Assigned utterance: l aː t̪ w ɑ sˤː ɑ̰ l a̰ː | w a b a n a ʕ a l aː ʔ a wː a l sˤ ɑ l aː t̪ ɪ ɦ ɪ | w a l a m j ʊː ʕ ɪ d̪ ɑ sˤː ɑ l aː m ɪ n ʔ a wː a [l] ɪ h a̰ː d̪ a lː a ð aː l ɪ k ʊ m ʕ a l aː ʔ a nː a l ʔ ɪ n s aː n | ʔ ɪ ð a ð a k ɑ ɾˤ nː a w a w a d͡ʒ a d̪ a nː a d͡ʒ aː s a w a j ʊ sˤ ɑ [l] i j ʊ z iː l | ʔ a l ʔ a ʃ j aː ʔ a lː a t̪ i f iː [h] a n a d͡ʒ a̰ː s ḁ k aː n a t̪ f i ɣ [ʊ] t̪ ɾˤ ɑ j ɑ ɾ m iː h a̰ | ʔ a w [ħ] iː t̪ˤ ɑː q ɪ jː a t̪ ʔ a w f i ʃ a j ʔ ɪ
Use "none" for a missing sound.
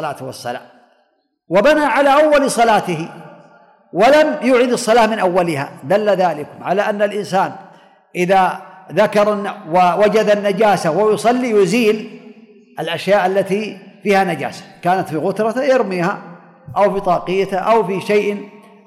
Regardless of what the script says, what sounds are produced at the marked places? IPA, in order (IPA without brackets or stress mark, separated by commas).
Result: l, lː, h, ʊ, f